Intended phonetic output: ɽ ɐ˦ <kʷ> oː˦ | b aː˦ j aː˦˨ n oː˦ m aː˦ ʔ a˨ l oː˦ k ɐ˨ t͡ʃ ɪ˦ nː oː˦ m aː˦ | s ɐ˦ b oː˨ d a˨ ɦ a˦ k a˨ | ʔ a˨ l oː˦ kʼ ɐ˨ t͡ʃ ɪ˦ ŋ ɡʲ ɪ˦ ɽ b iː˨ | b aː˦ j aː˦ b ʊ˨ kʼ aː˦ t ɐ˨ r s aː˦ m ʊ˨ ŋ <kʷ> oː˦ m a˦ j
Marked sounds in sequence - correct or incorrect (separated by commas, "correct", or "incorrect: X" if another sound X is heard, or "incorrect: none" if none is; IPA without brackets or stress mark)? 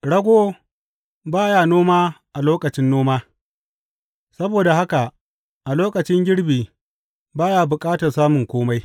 incorrect: ɡʷ, correct